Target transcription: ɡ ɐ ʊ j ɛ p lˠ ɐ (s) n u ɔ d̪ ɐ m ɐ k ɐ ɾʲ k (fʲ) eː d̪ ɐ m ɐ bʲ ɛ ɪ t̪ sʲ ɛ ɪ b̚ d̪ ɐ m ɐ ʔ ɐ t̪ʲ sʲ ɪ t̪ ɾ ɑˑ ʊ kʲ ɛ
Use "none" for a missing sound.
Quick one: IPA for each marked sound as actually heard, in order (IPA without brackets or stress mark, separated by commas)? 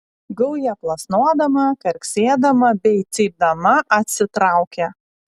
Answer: s, sʲ